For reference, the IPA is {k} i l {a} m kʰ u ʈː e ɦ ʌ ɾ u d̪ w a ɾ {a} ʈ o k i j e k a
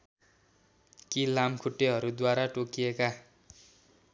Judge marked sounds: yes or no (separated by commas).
yes, yes, yes